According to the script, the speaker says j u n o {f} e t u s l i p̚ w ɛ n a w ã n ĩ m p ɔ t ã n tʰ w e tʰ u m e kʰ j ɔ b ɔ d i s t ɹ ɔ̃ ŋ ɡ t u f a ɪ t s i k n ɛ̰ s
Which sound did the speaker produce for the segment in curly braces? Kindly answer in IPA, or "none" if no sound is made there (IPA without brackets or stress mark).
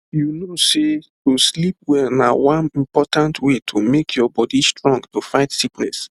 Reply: s